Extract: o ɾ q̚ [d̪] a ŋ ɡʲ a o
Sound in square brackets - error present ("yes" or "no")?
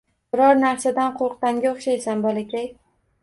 yes